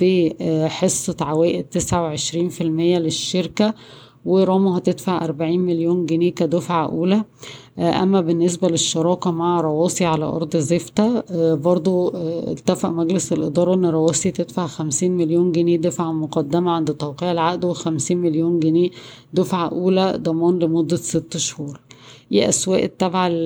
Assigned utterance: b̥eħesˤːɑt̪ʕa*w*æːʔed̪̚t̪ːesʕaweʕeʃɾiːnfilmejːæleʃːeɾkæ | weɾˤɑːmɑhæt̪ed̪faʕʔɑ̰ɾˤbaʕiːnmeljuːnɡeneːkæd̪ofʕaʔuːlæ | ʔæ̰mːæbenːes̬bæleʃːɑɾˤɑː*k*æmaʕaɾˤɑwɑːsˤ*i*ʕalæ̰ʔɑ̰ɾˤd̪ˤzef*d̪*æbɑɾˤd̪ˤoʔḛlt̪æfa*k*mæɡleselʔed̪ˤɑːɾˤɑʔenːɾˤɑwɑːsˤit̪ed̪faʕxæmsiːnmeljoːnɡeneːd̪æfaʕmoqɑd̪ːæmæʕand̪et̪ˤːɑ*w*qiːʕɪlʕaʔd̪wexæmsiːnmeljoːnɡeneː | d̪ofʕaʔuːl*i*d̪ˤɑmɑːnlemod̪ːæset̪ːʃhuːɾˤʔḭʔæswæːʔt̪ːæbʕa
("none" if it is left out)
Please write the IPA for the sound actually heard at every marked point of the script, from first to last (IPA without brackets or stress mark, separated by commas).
w, k, i, t̪, ʔ, w, æ